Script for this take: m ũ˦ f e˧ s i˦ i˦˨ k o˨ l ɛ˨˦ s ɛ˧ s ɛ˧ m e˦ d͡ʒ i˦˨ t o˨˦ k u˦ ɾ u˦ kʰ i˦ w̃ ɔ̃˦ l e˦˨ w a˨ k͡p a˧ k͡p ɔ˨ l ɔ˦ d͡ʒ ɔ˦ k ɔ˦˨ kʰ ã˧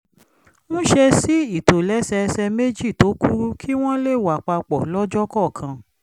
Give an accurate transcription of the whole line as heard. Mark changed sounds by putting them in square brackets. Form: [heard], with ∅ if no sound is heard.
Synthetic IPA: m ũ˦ [ʃ] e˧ s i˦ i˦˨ [t] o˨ l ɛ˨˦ s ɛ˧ s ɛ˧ m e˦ d͡ʒ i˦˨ t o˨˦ k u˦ ɾ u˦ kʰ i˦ w̃ ɔ̃˦ l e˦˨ w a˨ k͡p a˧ k͡p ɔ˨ l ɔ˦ d͡ʒ ɔ˦ k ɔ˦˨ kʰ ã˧